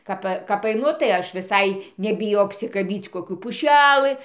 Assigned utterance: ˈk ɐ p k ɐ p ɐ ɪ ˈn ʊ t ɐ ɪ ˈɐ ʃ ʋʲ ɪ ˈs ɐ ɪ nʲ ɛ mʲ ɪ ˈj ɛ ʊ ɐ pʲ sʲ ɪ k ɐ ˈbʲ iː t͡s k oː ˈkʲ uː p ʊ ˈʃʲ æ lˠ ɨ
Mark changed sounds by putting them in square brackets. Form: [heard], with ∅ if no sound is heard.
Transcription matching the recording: ˈk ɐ p k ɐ p ɐ ɪ ˈn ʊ t ɐ ɪ ˈɐ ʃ ʋʲ ɪ ˈs ɐ ɪ nʲ ɛ [bʲ] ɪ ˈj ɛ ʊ ɐ pʲ sʲ ɪ k ɐ ˈbʲ iː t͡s k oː ˈkʲ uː p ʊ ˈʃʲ æ lˠ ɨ